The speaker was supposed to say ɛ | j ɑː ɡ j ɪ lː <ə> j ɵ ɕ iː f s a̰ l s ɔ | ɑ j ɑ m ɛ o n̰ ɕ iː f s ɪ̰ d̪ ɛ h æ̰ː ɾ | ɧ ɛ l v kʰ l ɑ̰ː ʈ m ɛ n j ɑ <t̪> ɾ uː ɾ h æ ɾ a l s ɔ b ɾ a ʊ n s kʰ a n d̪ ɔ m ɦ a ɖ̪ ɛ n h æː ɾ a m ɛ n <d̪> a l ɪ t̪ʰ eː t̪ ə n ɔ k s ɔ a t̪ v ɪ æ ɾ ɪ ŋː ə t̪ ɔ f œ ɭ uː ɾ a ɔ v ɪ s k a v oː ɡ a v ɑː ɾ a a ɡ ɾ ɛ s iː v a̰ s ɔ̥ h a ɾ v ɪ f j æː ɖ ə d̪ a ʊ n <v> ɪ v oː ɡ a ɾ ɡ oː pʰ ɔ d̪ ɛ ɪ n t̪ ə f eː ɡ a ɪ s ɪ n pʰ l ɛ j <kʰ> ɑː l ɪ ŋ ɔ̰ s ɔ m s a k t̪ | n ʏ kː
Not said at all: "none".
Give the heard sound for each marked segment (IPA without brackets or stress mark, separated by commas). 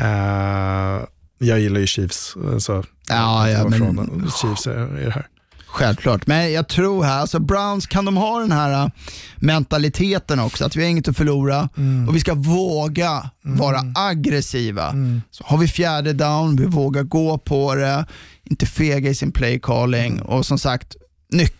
a, t̪ʰ, t̪, v, kʰ